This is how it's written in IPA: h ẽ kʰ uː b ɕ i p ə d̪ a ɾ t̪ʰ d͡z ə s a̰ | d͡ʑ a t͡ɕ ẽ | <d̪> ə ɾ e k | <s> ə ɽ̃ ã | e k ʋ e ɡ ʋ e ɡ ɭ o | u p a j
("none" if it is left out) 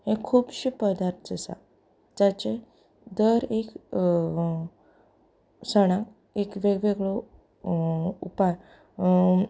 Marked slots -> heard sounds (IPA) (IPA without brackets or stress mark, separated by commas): d̪, s